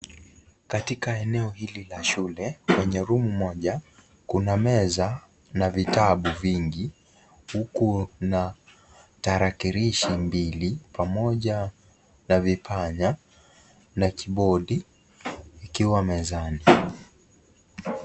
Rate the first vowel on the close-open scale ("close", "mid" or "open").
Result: open